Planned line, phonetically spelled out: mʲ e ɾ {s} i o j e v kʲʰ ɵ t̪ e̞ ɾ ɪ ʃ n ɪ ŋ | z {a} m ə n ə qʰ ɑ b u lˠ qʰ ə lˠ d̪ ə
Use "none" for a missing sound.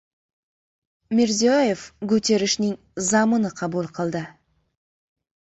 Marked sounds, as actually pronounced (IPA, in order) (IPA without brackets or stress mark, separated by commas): z, ɑ